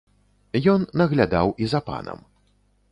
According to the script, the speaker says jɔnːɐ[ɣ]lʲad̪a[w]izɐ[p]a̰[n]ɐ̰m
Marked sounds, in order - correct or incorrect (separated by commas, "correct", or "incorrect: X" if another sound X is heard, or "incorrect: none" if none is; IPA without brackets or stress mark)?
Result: correct, correct, correct, correct